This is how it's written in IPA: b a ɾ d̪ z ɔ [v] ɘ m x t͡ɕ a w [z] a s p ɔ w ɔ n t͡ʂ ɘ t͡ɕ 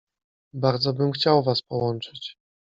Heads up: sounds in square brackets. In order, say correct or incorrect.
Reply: incorrect, incorrect

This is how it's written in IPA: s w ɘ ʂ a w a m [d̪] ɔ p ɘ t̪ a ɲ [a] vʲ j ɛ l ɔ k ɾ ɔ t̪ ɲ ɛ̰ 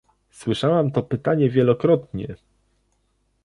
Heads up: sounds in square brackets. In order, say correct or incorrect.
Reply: incorrect, incorrect

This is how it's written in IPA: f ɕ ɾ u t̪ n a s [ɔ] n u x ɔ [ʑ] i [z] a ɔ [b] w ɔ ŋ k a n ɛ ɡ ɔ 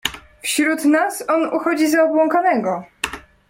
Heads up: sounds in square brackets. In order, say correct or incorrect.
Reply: correct, incorrect, correct, correct

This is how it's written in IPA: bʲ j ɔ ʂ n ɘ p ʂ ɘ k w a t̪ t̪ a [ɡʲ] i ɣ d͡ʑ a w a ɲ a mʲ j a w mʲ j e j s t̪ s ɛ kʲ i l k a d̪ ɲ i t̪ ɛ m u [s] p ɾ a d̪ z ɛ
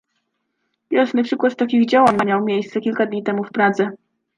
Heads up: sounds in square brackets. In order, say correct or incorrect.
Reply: incorrect, incorrect

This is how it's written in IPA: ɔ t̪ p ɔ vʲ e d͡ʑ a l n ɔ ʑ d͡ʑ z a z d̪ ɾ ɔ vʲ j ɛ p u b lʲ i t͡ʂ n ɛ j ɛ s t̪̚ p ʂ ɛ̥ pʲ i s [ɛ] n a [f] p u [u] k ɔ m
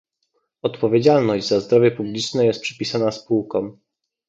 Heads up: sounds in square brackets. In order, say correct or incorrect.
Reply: incorrect, incorrect, incorrect

